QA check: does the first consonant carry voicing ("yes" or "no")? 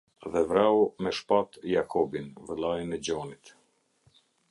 yes